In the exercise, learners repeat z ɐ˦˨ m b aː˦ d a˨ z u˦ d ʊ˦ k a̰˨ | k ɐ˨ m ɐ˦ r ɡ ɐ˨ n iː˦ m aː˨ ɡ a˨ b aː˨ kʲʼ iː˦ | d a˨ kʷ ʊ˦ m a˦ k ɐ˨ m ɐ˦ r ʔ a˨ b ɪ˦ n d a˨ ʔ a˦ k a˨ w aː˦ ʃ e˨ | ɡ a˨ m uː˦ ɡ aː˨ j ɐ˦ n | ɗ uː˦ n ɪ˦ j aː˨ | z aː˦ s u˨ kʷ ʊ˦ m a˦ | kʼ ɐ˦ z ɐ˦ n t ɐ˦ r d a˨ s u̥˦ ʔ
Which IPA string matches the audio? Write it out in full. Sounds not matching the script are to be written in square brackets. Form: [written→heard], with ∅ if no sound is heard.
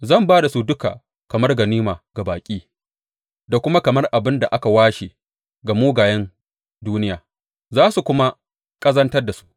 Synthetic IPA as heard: z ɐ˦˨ m b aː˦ d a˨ [z→s] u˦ d ʊ˦ k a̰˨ | k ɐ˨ m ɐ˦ r ɡ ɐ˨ n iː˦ m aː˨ ɡ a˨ b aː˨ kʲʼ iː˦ | d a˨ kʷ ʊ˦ m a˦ k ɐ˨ m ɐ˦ r ʔ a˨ b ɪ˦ n d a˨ ʔ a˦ k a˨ w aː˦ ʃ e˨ | ɡ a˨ m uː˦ ɡ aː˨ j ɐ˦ n | [ɗ→d] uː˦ n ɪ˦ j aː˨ | z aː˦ s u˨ kʷ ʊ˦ m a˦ | kʼ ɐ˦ z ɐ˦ n t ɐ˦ r d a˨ s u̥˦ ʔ